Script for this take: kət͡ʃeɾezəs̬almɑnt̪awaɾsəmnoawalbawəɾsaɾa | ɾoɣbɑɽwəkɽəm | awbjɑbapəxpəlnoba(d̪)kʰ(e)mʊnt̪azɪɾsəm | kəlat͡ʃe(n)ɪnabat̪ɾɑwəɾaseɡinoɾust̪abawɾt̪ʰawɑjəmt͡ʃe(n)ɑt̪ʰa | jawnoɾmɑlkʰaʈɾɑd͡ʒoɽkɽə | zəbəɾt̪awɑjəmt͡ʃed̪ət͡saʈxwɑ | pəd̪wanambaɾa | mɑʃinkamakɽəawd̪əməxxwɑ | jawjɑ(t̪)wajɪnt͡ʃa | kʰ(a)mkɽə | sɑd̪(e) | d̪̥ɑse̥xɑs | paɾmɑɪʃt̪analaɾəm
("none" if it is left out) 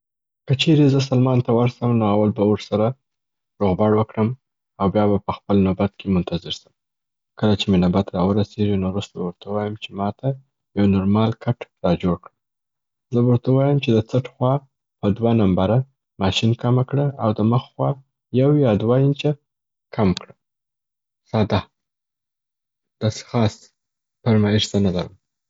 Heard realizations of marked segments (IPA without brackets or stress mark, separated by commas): t̪, e, m, m, d̪, a, a